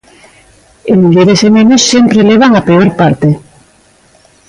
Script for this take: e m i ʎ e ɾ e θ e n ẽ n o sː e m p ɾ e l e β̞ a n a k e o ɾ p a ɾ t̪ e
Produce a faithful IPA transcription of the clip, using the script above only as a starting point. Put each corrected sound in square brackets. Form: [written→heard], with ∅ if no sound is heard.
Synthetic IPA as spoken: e m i ʎ e ɾ e [θ→s] e [n→m] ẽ n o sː e m p ɾ e l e β̞ a [n→ŋ] a [k→p] e o ɾ p a ɾ t̪ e

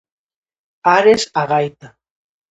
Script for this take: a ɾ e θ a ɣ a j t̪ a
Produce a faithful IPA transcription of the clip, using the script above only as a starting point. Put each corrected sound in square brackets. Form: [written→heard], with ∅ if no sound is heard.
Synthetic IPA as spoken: a ɾ e [θ→s] a ɣ a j t̪ a

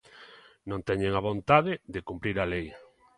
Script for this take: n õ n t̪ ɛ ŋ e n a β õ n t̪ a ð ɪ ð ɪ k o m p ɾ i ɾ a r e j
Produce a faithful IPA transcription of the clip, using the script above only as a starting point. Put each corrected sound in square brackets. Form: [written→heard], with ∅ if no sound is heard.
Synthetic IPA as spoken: n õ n t̪ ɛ [ŋ→ɲ] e [n→ŋ] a β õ n t̪ a ð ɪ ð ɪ k [o→u] m p ɾ i ɾ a [r→l] e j

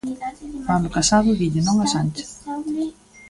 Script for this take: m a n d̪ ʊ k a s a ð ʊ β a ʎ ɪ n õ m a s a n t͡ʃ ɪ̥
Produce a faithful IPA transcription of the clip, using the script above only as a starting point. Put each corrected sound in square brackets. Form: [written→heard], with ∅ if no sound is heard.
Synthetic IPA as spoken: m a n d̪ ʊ k a s a ð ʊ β [a→i] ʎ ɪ n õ [m→ŋ] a s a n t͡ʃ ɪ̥

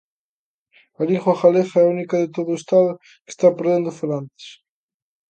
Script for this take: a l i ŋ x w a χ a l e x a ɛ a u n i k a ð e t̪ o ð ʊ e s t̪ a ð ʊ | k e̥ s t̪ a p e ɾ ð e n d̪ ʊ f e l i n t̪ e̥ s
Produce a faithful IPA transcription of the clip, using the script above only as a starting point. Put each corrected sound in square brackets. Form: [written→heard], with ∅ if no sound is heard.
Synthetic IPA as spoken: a l i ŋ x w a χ a l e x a ɛ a u n i k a ð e t̪ o ð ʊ e s t̪ a ð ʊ | k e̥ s t̪ a p e ɾ ð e n d̪ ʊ f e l [i→a] n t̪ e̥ s

